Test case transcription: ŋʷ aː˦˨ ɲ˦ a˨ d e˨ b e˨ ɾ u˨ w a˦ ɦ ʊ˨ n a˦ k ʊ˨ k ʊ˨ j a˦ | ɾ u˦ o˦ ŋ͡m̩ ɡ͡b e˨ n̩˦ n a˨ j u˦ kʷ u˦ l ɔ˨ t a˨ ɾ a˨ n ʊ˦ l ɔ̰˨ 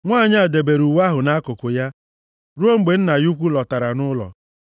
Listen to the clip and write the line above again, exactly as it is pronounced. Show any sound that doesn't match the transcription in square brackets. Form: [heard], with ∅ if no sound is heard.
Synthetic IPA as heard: ŋʷ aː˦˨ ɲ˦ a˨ d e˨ b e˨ ɾ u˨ w a˦ ɦ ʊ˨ n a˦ k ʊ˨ k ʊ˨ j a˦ | ɾ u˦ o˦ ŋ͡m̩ ɡ͡b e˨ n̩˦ n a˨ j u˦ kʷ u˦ l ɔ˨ t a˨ ɾ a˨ n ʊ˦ l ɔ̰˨